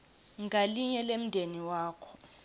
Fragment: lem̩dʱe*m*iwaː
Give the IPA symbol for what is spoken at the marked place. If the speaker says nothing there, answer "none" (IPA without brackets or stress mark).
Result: n